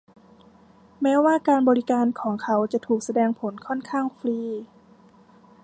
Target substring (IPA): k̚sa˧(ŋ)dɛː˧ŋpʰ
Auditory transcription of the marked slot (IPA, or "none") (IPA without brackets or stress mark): none